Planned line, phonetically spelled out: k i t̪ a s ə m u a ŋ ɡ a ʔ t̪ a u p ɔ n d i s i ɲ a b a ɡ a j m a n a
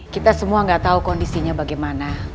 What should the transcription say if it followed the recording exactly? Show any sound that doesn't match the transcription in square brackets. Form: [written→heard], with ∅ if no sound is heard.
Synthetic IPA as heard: k i t̪ a s ə m u a ŋ ɡ a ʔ t̪ a u [p→k] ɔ n d i s i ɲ a b a ɡ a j m a n a